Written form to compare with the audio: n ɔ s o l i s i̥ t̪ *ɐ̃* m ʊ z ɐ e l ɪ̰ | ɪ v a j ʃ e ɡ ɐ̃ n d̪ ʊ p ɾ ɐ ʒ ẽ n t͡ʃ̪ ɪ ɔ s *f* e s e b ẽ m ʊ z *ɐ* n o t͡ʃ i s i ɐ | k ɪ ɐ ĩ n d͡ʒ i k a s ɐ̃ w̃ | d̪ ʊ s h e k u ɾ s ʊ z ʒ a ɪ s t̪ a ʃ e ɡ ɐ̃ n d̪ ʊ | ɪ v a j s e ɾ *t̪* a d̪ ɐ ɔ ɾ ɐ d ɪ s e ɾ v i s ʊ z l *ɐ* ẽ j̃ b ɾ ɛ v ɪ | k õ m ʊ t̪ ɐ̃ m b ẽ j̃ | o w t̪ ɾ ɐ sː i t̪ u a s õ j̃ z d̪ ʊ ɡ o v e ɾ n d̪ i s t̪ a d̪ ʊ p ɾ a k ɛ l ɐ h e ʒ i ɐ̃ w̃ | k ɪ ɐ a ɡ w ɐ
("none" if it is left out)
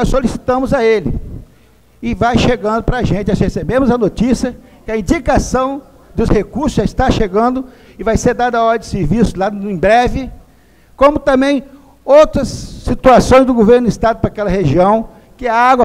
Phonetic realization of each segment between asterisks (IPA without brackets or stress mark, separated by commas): ɐ̃, h, ɐ, d̪, a